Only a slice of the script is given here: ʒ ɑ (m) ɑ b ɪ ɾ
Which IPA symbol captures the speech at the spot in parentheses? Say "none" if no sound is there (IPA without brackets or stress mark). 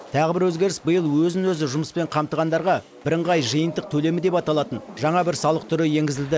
ɴ